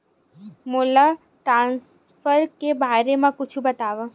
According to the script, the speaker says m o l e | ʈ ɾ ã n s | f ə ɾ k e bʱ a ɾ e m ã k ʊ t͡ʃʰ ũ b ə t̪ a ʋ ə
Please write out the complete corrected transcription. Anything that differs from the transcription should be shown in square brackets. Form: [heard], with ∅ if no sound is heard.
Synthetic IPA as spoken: m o l [a] | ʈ ɾ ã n s | f ə ɾ k e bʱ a ɾ e m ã k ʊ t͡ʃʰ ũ b ə t̪ a ʋ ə